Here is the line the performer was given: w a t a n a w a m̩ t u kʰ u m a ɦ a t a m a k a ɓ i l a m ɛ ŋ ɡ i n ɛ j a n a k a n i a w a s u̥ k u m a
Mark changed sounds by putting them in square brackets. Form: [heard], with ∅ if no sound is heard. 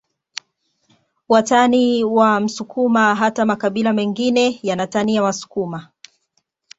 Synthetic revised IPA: w a t a n [i] w a m̩ [s] u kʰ u m a ɦ a t a m a k a ɓ i l a m ɛ ŋ ɡ i n ɛ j a n a [t] a n i a w a s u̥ k u m a